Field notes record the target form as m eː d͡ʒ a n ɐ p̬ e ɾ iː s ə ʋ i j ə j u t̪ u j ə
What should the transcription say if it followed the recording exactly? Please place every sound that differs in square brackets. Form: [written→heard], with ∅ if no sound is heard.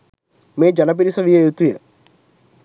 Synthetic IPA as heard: m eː d͡ʒ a n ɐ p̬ [e→i] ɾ [iː→i] s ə ʋ i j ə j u t̪ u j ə